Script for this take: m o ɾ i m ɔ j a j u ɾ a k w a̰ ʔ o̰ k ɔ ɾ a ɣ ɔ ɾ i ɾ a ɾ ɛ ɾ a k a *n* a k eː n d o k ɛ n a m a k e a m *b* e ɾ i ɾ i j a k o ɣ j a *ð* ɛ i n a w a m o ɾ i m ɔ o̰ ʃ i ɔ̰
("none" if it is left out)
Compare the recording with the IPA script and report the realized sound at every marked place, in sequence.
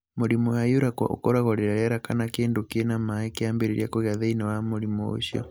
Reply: n, b, ð

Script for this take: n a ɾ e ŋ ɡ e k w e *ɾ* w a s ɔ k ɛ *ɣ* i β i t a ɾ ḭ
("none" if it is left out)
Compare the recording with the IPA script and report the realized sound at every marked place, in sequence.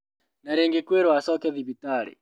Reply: ɾ, ð

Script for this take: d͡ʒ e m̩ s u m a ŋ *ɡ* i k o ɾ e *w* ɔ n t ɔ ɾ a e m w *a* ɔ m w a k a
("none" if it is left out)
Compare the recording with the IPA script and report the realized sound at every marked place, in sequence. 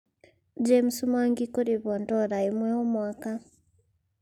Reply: ɡ, β, ɛ

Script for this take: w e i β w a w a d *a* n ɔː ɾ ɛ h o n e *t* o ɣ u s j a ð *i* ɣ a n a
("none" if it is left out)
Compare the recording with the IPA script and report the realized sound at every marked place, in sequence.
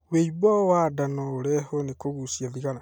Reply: a, k, i

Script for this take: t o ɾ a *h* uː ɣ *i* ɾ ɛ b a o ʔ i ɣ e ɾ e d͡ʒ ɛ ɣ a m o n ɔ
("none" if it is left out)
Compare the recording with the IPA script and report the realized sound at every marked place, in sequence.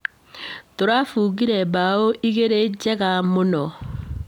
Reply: f, i

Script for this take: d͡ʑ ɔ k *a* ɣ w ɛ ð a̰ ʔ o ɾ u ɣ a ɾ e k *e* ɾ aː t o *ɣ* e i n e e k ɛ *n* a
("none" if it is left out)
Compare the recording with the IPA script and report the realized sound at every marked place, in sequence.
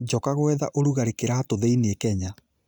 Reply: a, e, ð, ɲ

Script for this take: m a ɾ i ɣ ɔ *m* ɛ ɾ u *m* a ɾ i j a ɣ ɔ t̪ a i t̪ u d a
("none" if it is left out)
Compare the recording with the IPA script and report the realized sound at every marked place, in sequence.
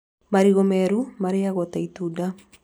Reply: m, m

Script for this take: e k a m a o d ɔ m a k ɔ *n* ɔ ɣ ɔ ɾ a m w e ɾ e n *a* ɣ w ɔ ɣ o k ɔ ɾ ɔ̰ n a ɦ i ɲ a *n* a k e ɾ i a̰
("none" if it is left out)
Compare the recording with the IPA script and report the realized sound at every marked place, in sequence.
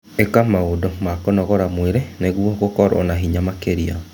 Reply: n, e, m

